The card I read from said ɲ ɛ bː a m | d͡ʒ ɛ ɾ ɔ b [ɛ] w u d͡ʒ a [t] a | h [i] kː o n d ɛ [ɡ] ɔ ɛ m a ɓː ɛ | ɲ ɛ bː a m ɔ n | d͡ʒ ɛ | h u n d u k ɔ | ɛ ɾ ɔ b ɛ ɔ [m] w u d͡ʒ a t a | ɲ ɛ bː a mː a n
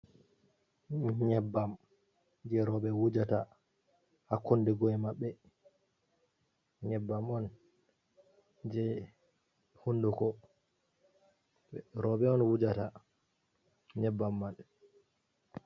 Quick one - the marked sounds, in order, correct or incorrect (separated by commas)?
correct, correct, incorrect, correct, incorrect